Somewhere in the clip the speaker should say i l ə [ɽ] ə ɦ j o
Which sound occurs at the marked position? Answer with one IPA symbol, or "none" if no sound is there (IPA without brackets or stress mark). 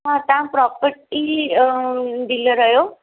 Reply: ɾ